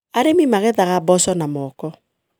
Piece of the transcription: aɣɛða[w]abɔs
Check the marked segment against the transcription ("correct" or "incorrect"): incorrect